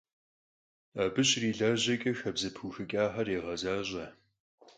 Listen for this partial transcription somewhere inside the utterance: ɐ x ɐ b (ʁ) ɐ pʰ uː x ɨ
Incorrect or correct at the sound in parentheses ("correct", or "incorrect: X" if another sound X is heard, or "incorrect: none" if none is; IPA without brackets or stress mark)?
incorrect: z